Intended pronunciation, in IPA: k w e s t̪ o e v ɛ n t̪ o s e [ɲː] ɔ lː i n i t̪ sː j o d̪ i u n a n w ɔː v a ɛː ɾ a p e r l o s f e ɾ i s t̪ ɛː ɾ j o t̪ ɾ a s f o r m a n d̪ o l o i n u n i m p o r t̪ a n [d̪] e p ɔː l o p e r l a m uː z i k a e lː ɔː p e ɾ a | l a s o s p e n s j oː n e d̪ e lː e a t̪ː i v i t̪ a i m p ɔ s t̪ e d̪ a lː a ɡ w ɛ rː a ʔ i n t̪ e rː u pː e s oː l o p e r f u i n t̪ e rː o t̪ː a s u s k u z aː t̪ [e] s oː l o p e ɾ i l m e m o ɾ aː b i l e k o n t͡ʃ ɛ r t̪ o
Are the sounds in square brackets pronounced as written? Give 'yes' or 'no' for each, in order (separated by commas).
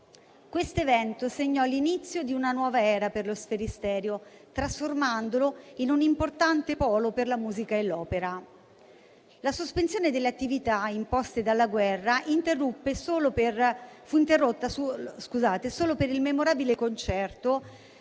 yes, no, yes